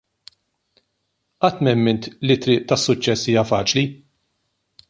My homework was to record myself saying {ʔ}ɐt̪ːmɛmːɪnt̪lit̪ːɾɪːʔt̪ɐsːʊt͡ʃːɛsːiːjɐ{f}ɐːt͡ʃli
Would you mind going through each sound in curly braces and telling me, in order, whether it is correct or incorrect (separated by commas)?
correct, correct